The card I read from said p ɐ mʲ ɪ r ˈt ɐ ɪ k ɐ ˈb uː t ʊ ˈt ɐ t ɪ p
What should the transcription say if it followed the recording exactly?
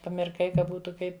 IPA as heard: p ɐ mʲ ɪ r ˈk ɐ ɪ k ɐ ˈb uː t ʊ ˈk ɐ ɪ p